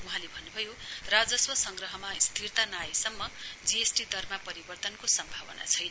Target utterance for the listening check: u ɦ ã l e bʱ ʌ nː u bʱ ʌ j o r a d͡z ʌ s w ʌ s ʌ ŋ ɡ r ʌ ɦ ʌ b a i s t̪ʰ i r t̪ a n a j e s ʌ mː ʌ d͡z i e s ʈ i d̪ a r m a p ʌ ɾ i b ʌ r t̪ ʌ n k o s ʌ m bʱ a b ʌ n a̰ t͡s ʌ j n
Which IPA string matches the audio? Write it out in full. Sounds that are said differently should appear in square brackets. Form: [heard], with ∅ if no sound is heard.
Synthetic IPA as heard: u ɦ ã l e bʱ ʌ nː u bʱ ʌ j o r a d͡z ʌ s w ʌ s ʌ ŋ ɡ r ʌ ɦ ʌ [m] a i s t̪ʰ i r t̪ a n a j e s ʌ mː ʌ d͡z i e s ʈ i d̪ [ʌ] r m a p ʌ ɾ i b ʌ r t̪ ʌ n k o s ʌ m bʱ a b ʌ n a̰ [t͡sʰ] ʌ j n